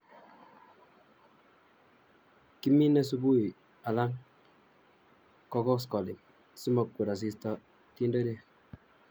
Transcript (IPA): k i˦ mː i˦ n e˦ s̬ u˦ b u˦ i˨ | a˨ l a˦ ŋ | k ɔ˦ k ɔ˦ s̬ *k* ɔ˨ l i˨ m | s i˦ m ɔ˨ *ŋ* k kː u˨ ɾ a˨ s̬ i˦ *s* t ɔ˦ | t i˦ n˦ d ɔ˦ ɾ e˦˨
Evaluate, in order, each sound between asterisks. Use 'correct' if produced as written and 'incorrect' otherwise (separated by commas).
correct, incorrect, correct